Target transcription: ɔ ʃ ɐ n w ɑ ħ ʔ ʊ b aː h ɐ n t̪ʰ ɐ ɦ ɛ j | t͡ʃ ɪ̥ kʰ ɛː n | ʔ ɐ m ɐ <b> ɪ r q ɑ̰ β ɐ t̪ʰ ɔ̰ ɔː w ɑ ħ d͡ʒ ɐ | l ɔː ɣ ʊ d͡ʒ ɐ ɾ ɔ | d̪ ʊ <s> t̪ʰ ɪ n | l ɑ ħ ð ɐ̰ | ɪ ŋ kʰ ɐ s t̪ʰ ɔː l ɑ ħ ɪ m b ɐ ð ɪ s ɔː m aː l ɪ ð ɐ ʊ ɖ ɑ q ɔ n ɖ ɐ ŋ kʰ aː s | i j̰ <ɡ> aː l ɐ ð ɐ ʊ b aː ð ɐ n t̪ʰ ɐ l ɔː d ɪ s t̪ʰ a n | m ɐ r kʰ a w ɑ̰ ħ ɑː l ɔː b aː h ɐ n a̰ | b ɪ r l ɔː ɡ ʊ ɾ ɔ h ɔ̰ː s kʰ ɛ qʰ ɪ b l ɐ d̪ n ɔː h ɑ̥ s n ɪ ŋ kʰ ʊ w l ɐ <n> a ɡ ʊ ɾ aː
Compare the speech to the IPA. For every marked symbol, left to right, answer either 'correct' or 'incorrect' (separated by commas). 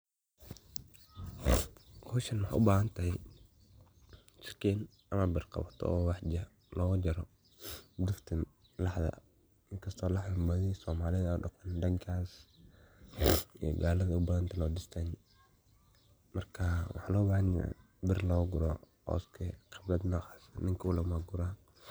correct, incorrect, correct, incorrect